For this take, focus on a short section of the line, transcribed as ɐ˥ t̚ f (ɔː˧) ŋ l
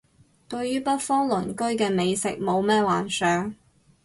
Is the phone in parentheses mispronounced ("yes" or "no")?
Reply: yes